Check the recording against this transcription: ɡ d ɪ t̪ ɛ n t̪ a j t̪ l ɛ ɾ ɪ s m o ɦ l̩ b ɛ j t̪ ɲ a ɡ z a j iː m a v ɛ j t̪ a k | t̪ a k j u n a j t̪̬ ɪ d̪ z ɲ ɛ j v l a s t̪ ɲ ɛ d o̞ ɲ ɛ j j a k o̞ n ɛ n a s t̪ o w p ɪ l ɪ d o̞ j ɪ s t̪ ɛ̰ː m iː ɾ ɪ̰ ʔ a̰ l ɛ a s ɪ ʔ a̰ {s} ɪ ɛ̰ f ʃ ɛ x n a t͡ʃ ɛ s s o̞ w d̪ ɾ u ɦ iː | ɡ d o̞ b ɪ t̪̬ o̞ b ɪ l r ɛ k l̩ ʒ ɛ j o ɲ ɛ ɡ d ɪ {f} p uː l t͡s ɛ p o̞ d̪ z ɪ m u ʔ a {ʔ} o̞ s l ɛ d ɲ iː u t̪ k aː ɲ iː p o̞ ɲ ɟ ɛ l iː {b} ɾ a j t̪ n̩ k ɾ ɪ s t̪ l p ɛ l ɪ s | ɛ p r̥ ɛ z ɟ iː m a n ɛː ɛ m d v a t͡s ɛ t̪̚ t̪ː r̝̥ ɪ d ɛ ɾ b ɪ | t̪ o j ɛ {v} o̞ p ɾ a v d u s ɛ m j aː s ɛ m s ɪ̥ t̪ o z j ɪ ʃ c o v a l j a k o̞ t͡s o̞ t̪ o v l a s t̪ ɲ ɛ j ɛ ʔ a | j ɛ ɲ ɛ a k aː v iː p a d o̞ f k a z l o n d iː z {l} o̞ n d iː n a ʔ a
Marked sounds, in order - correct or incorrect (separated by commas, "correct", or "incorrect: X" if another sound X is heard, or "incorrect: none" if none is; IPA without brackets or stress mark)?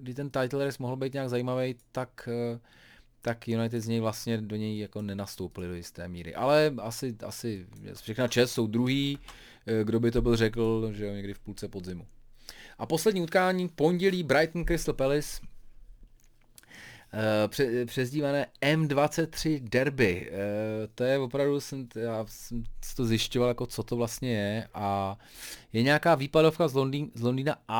correct, correct, incorrect: p, correct, correct, correct